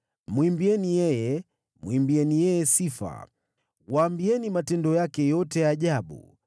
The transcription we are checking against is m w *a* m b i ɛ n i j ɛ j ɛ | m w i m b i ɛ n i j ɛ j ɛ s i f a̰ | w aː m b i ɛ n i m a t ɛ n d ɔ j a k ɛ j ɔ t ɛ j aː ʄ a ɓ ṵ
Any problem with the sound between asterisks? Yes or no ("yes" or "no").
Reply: yes